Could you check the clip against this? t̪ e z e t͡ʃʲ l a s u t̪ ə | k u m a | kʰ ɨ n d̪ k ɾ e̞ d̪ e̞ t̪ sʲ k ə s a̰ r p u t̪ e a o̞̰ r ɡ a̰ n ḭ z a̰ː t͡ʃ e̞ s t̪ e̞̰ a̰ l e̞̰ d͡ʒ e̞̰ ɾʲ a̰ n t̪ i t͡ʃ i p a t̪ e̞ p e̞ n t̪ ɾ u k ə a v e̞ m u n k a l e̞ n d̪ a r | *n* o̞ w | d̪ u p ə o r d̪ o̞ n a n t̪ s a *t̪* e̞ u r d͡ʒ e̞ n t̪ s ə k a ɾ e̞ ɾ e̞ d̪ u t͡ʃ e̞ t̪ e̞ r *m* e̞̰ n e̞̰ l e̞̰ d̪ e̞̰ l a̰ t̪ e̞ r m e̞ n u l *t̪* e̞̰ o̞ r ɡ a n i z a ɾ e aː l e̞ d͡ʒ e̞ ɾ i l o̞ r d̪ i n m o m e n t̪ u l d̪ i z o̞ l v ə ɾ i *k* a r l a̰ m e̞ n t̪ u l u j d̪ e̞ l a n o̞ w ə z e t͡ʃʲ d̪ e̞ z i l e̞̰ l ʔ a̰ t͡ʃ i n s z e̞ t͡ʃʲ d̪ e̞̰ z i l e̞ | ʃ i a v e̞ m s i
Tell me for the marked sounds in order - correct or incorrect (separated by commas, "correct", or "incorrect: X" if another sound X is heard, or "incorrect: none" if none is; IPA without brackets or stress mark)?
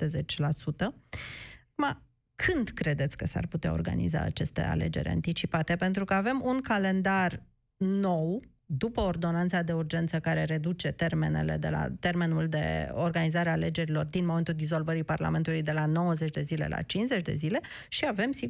correct, incorrect: d̪, correct, incorrect: d̪, incorrect: p